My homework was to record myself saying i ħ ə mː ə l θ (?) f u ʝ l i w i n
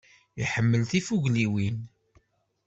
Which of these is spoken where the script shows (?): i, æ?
i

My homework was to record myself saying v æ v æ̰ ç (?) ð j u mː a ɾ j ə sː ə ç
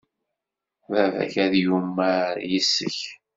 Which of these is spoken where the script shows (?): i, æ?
æ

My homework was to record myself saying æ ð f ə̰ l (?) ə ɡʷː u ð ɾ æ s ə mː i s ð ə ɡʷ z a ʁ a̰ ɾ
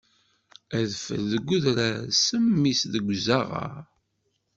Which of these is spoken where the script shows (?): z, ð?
ð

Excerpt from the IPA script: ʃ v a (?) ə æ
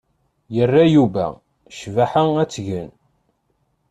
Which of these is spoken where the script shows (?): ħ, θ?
ħ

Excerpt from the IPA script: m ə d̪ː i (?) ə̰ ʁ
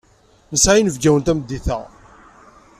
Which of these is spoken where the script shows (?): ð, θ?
θ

